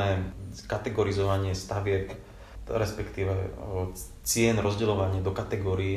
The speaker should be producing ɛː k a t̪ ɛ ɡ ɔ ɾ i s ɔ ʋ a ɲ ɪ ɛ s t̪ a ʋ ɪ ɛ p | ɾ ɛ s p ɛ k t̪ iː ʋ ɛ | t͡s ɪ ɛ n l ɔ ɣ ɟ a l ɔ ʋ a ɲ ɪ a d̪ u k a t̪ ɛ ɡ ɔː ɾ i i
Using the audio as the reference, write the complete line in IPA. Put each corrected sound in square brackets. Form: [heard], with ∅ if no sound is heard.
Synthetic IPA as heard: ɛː k a t̪ ɛ ɡ ɔ ɾ i [z] ɔ ʋ a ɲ ɪ ɛ s t̪ a ʋ ɪ ɛ p | ɾ ɛ s p ɛ k t̪ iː ʋ ɛ | t͡s ɪ ɛ n [ɾ] ɔ [z] ɟ [ɛ] l ɔ ʋ a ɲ ɪ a d̪ [ɔ] k a t̪ ɛ ɡ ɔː ɾ i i